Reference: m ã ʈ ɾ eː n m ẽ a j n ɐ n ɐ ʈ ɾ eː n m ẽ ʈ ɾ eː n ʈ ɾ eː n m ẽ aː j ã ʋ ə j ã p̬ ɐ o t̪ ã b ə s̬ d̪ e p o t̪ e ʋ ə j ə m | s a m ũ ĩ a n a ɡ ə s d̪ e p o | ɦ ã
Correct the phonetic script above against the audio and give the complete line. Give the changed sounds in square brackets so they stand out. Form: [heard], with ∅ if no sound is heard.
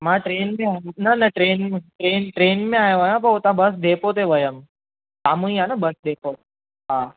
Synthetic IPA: m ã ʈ ɾ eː n m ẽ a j n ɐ n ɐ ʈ ɾ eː n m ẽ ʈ ɾ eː n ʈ ɾ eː n m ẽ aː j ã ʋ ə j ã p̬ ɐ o t̪ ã b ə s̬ d̪ e p o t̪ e ʋ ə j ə m | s a m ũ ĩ a n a [b] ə s d̪ e p o | ɦ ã

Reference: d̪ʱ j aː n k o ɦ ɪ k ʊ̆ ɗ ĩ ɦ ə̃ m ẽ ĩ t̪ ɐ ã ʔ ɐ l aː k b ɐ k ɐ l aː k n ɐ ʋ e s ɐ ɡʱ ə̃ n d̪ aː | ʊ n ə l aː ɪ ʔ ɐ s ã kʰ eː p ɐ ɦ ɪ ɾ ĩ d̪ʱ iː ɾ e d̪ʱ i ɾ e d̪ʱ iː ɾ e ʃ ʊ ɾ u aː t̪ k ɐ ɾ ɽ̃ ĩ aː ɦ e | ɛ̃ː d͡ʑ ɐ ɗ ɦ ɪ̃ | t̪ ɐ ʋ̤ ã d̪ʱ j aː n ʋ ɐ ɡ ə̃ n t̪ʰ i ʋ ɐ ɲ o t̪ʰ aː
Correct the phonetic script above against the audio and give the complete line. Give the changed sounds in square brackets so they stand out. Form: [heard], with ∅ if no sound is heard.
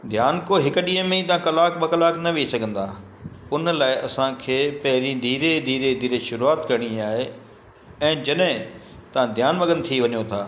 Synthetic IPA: d̪ʱ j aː n k o ɦ ɪ k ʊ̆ ɗ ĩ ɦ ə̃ m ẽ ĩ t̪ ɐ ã [k] ɐ l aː k b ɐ k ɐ l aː k n ɐ ʋ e s ɐ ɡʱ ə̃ n d̪ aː | ʊ n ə l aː ɪ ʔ ɐ s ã kʰ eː p ɐ ɦ ɪ ɾ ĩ d̪ʱ iː ɾ e d̪ʱ [iː] ɾ e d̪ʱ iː ɾ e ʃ ʊ ɾ u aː t̪ k ɐ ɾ ɽ̃ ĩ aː ɦ e | ɛ̃ː d͡ʑ ɐ ɗ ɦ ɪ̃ | t̪ ɐ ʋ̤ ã d̪ʱ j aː n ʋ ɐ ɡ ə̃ n t̪ʰ i ʋ ɐ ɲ o t̪ʰ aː

